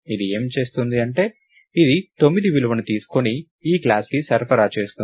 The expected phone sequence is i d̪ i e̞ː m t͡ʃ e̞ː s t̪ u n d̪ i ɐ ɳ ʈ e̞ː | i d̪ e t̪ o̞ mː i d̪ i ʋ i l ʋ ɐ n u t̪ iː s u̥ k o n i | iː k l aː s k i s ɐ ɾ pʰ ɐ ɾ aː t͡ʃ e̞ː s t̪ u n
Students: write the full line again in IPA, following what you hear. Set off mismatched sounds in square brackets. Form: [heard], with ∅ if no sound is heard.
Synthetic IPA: i d̪ i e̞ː m t͡ʃ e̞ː s t̪ u n d̪ i ɐ ɳ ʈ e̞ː | i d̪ [i] t̪ o̞ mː i d̪ i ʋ i l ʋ ɐ n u t̪ iː s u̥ k o n i | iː k l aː s k i s ɐ ɾ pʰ ɐ ɾ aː t͡ʃ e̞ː s t̪ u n